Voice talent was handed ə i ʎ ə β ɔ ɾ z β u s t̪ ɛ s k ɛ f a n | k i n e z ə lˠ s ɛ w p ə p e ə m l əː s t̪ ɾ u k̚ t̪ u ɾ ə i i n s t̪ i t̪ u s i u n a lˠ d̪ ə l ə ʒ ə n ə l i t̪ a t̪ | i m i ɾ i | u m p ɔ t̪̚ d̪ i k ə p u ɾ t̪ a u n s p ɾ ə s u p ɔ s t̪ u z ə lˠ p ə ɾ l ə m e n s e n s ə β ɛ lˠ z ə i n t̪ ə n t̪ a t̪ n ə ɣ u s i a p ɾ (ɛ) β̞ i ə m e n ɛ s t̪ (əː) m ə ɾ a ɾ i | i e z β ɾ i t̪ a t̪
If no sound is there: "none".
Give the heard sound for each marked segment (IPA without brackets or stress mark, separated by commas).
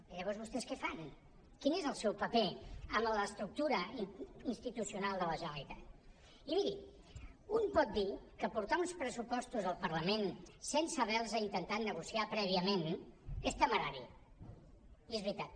ɛ, ə